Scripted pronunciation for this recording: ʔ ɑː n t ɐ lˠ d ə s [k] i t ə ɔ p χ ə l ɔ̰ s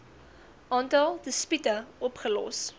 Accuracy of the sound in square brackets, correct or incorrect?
incorrect